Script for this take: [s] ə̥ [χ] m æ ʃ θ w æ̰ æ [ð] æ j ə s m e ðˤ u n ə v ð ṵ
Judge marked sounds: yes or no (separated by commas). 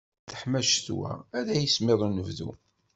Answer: no, no, yes